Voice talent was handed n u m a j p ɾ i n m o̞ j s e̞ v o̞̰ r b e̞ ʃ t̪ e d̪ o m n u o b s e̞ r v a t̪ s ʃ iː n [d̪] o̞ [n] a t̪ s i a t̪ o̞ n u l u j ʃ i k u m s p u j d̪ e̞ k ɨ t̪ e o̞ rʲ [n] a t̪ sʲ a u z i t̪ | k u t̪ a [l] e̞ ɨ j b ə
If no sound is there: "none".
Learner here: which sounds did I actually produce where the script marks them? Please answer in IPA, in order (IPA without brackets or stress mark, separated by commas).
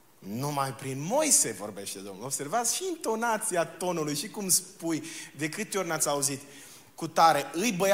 t̪, n, n, ɾ